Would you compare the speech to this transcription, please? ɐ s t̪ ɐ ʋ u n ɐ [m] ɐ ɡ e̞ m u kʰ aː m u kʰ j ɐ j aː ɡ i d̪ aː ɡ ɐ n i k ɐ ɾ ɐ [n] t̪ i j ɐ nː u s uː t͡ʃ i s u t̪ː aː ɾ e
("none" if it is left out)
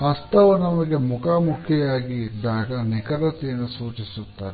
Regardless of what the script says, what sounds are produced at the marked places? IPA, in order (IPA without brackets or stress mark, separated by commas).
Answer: m, none